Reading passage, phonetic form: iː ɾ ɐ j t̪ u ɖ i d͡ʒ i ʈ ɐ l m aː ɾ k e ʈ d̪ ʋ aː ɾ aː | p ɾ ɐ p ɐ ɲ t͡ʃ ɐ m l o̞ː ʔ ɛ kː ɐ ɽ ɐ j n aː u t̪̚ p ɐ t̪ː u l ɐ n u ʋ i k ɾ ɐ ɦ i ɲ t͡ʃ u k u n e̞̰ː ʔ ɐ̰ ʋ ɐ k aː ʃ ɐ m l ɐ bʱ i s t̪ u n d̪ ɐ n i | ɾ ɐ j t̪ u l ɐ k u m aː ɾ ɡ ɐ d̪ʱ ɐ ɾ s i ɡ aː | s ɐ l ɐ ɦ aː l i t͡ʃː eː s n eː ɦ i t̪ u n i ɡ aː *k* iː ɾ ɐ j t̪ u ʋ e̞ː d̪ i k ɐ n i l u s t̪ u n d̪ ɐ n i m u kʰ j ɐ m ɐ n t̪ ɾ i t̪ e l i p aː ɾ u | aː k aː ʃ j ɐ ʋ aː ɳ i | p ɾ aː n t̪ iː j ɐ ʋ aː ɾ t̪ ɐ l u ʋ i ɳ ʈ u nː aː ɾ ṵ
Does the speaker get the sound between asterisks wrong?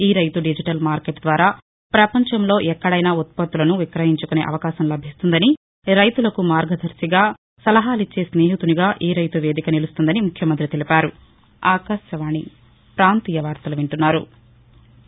yes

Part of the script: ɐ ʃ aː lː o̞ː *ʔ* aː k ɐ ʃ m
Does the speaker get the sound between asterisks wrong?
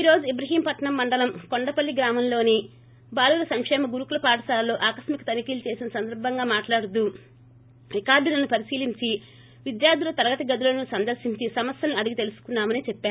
no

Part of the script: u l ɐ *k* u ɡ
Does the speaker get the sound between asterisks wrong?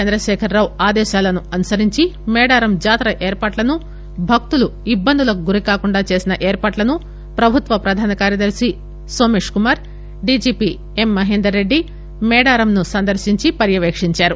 no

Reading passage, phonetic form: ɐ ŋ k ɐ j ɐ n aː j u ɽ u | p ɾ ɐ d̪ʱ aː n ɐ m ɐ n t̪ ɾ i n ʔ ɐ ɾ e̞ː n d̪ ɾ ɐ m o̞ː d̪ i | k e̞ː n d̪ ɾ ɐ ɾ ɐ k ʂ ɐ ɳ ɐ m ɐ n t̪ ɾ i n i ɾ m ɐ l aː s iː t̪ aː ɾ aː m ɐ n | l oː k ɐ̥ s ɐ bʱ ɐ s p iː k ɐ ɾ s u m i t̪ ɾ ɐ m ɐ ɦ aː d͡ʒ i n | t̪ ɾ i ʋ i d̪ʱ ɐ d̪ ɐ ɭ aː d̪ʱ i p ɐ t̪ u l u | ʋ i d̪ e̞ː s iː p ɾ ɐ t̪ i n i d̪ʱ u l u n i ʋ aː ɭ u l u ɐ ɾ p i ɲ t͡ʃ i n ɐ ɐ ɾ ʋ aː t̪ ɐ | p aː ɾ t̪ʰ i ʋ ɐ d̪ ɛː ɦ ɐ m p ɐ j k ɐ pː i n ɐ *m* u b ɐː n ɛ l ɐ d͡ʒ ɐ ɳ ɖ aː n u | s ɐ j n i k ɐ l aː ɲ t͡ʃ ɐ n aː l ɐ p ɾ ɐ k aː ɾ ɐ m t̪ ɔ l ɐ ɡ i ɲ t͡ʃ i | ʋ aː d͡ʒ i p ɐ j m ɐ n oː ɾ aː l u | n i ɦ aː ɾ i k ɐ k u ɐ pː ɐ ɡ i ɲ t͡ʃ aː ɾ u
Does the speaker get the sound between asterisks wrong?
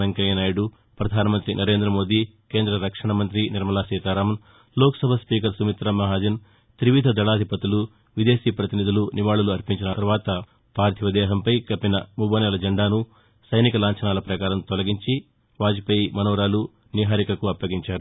no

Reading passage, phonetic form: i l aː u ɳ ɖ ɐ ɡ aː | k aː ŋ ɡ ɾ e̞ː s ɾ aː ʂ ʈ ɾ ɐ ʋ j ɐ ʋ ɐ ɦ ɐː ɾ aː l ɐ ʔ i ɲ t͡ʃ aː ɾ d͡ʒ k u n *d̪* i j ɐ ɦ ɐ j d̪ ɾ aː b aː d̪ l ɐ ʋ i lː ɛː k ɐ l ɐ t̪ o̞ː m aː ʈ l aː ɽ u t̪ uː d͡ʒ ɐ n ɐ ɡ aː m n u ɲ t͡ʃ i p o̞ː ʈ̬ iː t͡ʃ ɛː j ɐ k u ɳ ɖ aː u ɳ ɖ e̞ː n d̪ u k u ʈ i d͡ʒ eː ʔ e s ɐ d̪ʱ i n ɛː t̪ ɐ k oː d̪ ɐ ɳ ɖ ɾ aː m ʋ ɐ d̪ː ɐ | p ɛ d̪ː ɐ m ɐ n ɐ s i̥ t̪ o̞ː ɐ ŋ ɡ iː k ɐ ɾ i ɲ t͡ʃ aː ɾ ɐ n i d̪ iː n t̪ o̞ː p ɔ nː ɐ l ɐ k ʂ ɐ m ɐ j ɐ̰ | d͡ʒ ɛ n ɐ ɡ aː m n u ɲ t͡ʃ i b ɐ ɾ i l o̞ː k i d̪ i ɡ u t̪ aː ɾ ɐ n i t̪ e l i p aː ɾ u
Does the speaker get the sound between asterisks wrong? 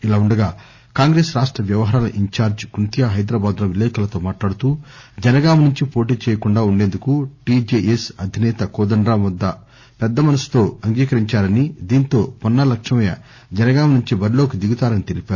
yes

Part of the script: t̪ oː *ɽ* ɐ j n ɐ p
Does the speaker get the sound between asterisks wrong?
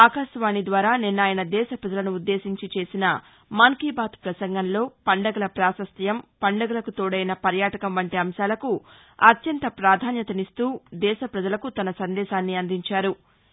no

